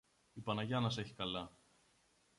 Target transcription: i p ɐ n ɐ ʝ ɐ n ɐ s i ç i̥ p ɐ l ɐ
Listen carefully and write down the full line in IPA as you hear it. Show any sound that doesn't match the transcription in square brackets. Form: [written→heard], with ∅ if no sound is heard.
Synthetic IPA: i p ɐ n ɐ ʝ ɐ n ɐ s [i→e] ç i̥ [p→k] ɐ l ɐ